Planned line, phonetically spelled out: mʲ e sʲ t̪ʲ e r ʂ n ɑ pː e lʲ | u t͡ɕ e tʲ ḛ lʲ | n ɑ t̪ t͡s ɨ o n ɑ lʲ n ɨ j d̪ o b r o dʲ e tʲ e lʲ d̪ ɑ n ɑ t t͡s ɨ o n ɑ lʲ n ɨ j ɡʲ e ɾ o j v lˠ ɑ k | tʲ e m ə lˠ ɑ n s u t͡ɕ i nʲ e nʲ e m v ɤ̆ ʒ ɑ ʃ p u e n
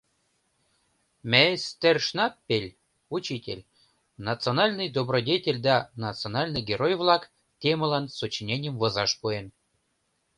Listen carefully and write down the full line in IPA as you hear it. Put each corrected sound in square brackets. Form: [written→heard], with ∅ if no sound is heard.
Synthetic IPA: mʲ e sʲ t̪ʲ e r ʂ n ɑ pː e lʲ | u t͡ɕ [e→i] tʲ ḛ lʲ | n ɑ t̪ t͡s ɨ o n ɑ lʲ n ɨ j d̪ o b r o dʲ e tʲ e lʲ d̪ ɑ n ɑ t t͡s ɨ o n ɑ lʲ n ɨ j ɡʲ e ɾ o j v lˠ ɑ k | tʲ e m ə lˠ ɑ n s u t͡ɕ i nʲ e nʲ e m v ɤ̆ [ʒ→z] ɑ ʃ p u e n